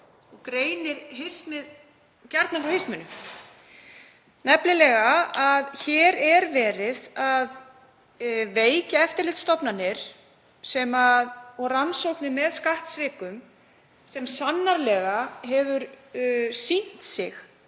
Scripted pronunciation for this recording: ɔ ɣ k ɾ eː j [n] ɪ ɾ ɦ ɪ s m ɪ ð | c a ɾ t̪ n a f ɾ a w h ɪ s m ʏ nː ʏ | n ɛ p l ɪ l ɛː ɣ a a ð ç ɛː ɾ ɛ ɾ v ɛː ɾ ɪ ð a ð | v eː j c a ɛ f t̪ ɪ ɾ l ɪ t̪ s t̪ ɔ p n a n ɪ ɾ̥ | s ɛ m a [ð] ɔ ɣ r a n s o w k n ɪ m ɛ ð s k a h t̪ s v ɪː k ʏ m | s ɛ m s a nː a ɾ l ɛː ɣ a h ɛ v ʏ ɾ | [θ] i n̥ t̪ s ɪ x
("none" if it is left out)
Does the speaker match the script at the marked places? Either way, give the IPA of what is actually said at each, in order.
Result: n, ð, s

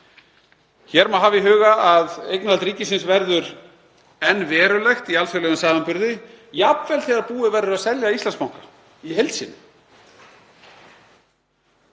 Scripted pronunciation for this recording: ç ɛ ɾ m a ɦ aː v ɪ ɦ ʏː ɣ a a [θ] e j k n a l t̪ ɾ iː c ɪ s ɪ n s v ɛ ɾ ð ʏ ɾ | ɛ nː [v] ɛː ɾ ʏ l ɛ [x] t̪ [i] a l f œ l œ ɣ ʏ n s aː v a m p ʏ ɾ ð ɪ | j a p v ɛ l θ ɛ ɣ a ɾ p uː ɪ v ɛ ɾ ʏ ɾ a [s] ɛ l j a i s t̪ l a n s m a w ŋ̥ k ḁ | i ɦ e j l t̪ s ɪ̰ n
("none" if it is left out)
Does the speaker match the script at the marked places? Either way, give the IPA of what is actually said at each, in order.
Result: ð, v, x, i, s

